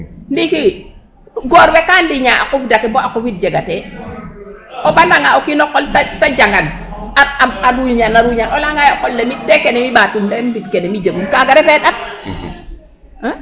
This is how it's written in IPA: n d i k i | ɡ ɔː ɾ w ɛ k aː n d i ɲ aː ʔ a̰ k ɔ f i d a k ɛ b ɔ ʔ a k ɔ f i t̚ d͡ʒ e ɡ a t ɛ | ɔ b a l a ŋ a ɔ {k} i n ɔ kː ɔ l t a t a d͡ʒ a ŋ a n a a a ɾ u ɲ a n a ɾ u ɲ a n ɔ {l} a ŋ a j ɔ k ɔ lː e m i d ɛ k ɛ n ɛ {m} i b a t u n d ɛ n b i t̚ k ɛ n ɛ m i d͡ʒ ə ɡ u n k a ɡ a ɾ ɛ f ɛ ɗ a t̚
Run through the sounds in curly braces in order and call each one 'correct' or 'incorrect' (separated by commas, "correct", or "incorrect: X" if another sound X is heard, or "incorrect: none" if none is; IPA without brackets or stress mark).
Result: correct, correct, correct